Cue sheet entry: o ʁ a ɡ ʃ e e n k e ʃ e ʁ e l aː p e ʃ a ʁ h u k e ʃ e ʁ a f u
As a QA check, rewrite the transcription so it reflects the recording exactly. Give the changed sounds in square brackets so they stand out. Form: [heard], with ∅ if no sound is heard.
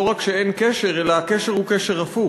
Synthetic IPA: o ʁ a [k] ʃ e e n k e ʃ e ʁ e l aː [k] e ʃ [e] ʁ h u k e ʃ e ʁ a f u